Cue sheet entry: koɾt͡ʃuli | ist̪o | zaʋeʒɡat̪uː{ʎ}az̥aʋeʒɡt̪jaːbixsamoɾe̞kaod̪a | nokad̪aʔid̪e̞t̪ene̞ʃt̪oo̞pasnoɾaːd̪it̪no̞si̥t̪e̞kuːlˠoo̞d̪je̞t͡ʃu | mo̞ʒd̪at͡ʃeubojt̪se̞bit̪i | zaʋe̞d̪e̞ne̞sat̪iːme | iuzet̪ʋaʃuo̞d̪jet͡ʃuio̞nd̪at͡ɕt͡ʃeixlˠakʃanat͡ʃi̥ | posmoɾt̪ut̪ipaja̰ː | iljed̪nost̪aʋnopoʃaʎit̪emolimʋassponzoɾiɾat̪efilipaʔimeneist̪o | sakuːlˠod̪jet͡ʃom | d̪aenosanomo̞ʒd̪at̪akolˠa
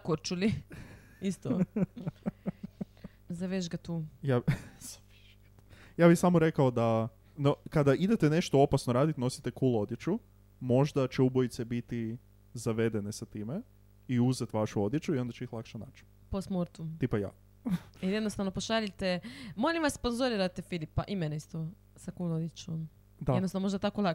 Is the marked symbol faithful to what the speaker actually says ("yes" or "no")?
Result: no